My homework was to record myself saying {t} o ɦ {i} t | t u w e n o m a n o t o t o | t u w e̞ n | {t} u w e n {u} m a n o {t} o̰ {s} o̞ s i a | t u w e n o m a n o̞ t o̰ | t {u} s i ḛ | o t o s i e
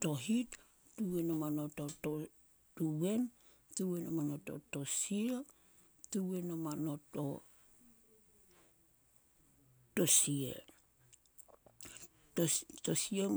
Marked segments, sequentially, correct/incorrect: correct, correct, correct, incorrect, correct, incorrect, incorrect

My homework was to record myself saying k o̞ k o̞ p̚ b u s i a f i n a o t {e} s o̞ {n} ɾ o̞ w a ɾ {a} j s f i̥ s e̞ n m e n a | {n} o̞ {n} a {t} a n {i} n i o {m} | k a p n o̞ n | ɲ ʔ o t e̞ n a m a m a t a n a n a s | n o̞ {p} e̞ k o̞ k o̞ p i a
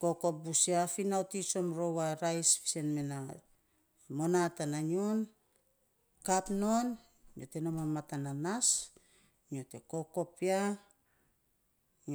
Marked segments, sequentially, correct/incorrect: incorrect, incorrect, correct, incorrect, correct, correct, incorrect, incorrect, incorrect

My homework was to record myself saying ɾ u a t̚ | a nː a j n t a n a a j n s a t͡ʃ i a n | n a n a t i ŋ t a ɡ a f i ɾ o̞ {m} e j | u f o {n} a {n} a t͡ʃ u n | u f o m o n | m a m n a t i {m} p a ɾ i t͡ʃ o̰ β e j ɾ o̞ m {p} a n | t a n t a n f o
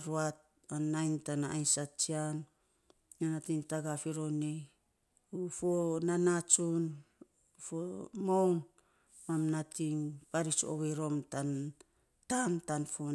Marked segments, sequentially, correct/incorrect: incorrect, correct, correct, incorrect, incorrect

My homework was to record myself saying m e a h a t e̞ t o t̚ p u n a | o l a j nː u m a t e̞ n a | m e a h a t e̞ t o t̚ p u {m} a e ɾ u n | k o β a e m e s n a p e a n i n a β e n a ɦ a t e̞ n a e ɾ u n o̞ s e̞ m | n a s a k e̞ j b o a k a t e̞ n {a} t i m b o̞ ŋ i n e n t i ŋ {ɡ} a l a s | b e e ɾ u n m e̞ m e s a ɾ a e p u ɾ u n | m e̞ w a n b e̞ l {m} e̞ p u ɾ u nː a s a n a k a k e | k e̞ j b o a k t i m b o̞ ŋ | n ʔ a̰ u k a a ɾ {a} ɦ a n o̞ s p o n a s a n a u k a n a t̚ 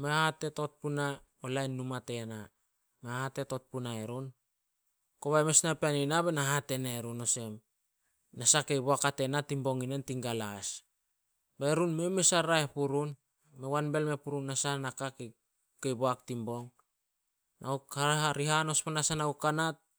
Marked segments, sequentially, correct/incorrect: incorrect, correct, correct, correct, incorrect

